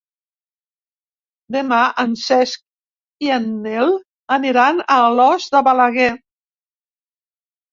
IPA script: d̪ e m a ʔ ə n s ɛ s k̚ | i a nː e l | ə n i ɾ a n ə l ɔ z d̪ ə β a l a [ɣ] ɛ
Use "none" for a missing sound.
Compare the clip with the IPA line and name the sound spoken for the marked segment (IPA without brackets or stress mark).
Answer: ɣ